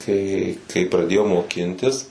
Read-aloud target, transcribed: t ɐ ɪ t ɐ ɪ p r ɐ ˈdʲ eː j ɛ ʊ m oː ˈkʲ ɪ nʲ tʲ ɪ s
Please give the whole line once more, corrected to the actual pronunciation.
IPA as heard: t ɐ ɪ k ɐ ɪ p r ɐ ˈdʲ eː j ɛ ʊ m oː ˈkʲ ɪ nʲ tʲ ɪ s